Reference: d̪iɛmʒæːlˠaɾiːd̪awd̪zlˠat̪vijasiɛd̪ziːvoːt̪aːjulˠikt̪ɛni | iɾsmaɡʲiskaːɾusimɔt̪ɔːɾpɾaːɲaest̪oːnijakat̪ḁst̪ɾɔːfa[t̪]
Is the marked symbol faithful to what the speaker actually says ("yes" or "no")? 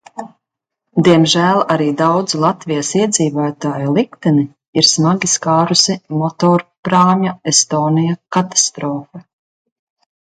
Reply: no